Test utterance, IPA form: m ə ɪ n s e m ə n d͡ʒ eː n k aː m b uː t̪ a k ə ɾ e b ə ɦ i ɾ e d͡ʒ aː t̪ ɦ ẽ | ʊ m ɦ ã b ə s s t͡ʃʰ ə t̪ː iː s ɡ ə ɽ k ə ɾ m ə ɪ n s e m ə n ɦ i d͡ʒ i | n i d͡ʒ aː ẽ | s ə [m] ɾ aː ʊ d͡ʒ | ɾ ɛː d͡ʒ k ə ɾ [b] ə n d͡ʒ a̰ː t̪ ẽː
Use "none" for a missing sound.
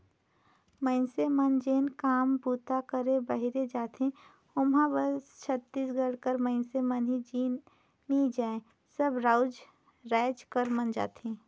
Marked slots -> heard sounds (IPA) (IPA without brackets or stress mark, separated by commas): b, m